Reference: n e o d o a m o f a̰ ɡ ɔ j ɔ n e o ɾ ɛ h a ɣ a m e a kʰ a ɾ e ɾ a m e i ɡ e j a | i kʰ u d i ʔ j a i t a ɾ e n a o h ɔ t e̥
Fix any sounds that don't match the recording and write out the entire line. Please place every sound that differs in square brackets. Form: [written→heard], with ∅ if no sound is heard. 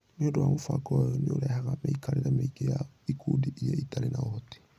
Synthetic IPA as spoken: n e o d o a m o f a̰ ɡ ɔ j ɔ n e o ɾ ɛ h a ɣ a m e [a→i] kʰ a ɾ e ɾ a m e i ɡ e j a | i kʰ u d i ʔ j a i t a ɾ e n a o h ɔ t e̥